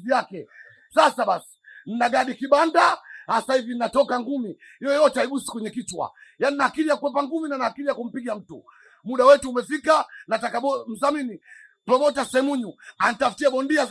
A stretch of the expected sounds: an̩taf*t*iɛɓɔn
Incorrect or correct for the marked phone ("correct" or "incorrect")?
correct